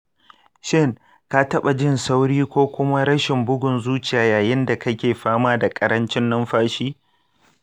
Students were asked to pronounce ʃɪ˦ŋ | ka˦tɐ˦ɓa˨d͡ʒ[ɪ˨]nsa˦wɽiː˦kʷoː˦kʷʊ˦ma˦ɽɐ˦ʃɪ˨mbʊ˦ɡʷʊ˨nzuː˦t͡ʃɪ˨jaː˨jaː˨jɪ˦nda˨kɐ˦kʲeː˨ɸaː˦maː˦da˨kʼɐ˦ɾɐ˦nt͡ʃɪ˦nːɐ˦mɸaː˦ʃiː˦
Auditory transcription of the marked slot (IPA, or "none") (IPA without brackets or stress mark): ɪ˦